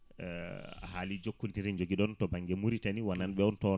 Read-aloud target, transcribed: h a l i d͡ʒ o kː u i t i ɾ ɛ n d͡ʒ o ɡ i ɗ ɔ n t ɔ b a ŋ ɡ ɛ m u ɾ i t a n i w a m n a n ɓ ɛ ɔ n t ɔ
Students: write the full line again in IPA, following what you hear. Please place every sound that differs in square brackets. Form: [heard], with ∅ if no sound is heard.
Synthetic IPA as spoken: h a l i d͡ʒ o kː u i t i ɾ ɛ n d͡ʒ o ɡ i ɗ ɔ n t ɔ b a ŋ ɡ ɛ m u ɾ i t a n i w a [∅] n a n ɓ ɛ ɔ n t ɔ

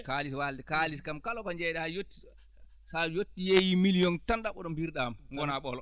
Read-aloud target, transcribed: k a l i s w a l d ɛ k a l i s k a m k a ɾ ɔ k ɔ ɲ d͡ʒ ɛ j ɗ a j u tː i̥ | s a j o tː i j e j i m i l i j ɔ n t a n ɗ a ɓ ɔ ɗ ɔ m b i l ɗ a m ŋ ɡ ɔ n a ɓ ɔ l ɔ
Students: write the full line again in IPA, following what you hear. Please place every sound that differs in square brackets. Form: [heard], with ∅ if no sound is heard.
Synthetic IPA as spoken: k a l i s w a l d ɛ k a l i s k a m k a [l] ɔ k ɔ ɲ d͡ʒ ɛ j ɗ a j [o] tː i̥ | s a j o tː i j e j i m i l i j ɔ n t a n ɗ a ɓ ɔ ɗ ɔ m b i [ɾ] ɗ a m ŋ ɡ ɔ n a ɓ ɔ l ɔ

